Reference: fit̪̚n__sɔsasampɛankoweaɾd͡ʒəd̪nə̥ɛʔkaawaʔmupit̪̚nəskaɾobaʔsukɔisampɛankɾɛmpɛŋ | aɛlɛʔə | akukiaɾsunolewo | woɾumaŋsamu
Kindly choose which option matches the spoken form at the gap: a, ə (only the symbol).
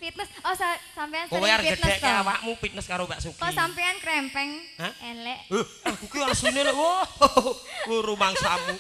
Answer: ə